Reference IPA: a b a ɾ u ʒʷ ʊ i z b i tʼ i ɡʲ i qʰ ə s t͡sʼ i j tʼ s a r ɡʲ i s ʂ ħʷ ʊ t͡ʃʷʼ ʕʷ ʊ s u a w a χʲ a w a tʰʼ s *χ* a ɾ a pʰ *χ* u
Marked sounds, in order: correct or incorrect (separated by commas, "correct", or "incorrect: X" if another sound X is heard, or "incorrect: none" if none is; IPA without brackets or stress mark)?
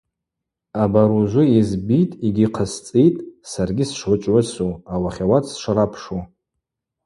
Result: incorrect: ʂ, incorrect: ʂ